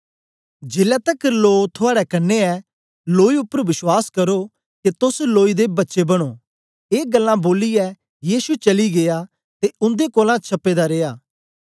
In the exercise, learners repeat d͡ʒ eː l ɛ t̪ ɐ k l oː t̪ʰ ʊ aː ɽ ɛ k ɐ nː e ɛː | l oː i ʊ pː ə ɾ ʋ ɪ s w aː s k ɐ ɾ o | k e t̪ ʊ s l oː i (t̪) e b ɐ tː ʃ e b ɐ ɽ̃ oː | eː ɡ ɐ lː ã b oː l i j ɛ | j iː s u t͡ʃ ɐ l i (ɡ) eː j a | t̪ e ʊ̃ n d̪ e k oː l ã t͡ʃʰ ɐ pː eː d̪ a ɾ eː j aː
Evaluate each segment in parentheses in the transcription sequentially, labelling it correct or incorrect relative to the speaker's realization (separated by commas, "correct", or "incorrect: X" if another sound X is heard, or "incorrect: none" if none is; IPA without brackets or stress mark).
incorrect: d̪, correct